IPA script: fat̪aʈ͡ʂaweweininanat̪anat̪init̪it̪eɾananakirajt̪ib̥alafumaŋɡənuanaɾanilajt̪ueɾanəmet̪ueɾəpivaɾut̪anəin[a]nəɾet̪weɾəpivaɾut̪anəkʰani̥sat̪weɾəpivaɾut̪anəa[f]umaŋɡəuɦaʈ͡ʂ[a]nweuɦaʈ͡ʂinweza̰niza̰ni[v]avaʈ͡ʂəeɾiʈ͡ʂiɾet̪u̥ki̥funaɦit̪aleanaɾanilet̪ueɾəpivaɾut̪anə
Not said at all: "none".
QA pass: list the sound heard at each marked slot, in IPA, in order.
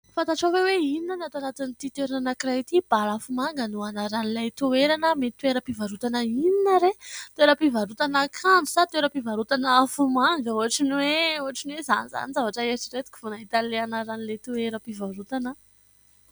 i, f, i, z

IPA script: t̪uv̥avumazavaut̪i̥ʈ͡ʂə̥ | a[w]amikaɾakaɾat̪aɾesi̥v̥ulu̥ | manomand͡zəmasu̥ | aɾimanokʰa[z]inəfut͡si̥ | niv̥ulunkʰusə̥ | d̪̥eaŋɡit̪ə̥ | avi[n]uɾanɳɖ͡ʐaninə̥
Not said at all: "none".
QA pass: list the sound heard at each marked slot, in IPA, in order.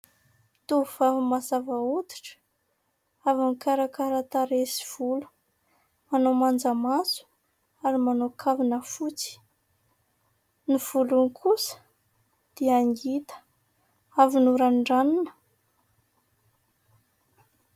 v, v, n

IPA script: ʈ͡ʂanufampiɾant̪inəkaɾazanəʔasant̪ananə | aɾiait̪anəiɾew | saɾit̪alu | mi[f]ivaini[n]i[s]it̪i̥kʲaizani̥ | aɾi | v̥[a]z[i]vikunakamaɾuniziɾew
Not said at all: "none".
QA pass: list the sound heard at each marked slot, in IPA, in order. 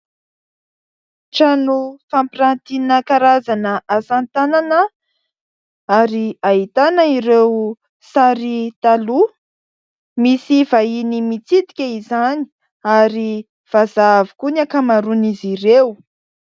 s, m, t͡s, a, a

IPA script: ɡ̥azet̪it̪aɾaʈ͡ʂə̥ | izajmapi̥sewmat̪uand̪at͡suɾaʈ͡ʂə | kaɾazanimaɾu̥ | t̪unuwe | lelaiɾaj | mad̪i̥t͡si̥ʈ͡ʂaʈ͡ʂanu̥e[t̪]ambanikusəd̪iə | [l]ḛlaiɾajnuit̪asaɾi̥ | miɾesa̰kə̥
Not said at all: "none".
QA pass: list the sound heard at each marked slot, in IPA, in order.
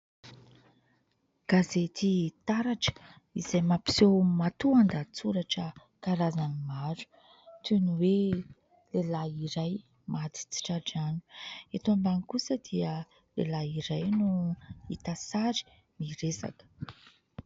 t̪, l

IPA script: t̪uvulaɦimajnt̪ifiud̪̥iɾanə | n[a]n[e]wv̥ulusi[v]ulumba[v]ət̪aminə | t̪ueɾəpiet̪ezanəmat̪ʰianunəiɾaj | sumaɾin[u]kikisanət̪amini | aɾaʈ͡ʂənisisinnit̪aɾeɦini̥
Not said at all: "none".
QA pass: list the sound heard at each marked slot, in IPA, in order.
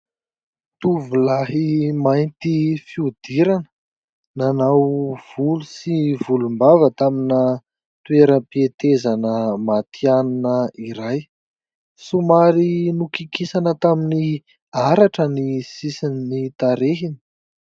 a, a, v, v, u

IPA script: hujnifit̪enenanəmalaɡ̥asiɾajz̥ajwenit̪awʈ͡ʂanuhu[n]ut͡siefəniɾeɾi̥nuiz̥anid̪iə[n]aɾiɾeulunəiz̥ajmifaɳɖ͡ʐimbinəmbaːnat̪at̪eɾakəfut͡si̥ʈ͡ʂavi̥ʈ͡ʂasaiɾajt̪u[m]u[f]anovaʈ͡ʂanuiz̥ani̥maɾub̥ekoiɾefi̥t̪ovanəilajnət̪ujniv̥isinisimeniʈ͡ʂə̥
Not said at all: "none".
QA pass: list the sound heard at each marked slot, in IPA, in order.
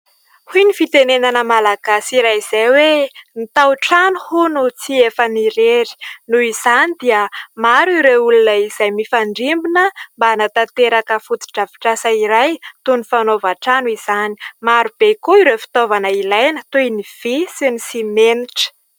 n, m, n, f

